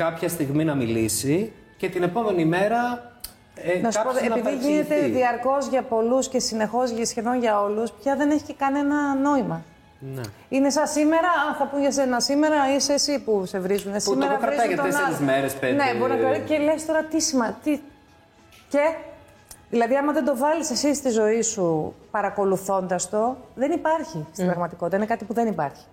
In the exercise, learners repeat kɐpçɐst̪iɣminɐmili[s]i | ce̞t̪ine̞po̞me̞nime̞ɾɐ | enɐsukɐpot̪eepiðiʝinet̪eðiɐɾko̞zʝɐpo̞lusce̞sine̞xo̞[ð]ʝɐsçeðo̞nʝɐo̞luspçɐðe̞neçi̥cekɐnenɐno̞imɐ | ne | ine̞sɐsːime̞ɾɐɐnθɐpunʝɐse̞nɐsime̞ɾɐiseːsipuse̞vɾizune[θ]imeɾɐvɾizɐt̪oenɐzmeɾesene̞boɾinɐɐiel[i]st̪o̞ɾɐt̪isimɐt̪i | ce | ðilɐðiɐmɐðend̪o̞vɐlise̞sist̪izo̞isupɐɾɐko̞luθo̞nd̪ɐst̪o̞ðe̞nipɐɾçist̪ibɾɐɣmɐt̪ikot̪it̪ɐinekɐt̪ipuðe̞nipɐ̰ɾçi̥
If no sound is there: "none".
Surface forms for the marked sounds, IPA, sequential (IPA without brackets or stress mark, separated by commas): s, z, s, e